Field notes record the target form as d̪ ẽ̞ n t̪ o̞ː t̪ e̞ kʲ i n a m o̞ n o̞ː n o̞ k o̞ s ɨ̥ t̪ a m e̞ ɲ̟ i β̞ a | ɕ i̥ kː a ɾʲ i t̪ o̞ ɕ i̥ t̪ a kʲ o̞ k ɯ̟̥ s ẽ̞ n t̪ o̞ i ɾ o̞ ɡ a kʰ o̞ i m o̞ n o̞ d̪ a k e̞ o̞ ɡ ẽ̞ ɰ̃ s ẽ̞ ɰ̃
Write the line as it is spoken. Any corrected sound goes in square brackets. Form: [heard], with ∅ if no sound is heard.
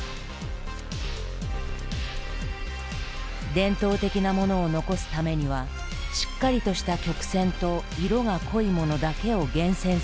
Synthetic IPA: d̪ ẽ̞ n t̪ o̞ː t̪ e̞ kʲ i n a m o̞ n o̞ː n o̞ k o̞ s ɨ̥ t̪ a m e̞ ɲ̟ i β̞ a | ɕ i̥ kː a ɾʲ i t̪ o̞ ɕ i̥ t̪ a kʲ o̞ k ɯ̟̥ s ẽ̞ n t̪ o̞ i ɾ o̞ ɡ a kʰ o̞ i m o̞ n o̞ d̪ a k e̞ o̞ ɡ ẽ̞ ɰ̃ s ẽ̞ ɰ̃